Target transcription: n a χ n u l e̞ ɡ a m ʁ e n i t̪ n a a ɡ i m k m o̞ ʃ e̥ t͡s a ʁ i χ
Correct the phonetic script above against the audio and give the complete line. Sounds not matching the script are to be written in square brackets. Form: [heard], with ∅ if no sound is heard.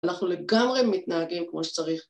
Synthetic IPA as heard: n a χ n u l e̞ ɡ a m ʁ e [m] i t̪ n a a ɡ i m k m o̞ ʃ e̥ t͡s a ʁ i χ